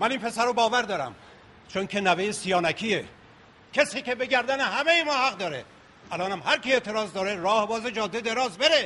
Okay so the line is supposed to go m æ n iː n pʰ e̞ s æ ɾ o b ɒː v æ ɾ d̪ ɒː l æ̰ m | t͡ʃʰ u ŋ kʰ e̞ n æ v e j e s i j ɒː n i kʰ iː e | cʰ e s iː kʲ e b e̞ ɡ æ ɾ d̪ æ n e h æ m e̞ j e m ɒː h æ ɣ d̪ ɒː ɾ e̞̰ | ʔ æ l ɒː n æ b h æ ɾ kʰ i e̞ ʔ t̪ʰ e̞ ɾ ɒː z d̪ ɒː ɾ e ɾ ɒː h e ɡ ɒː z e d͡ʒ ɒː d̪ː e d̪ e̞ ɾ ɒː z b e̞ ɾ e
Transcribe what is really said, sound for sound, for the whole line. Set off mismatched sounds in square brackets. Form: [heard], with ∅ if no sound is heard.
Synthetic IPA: m æ n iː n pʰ e̞ s æ ɾ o b ɒː v æ ɾ d̪ ɒː [ɾ] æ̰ m | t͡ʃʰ [o] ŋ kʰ e̞ n æ v e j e s i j ɒː n [æ] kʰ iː e | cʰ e s iː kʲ e b e̞ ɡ æ ɾ d̪ æ n e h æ m e̞ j e m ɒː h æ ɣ d̪ ɒː ɾ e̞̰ | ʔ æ l ɒː n æ [m] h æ ɾ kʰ i e̞ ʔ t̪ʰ e̞ ɾ ɒː z d̪ ɒː ɾ e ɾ ɒː h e [b] ɒː z e d͡ʒ ɒː d̪ː e d̪ e̞ ɾ ɒː z b e̞ ɾ e